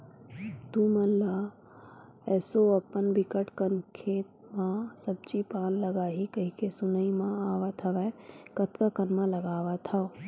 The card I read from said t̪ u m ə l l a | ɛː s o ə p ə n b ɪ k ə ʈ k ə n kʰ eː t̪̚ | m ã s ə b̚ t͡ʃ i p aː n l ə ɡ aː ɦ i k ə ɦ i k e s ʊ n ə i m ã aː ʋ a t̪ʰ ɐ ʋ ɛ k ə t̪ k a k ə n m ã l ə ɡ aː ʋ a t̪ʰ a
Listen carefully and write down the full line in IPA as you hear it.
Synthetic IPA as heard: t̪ u m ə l l a | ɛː s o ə p ə n b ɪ k ə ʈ k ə n kʰ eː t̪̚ | m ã s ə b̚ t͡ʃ i p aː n l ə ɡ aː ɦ i k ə ɦ i k e s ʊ n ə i m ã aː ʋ a t̪ʰ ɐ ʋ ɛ k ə t̪ k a k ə n m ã l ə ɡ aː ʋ a t̪ʰ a